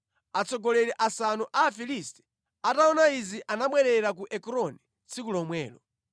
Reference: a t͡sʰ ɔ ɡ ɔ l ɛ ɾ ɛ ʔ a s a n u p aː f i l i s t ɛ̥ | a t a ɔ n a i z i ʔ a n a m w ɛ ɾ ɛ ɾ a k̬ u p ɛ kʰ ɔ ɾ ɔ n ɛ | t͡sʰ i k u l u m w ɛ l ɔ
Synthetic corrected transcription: a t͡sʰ ɔ ɡ ɔ l ɛ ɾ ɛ ʔ a s a n u ʔ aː f i l i s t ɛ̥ | a t a ɔ n a i z i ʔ a n a m w ɛ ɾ ɛ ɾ a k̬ u ʔ ɛ k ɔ ɾ ɔ n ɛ | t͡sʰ i k u l ɔ m w ɛː l ɔ